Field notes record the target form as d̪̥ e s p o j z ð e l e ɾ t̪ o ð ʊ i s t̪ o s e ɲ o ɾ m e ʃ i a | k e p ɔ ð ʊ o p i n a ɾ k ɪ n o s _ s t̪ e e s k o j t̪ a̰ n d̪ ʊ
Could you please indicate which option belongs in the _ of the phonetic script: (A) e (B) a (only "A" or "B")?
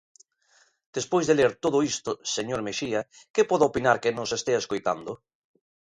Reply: A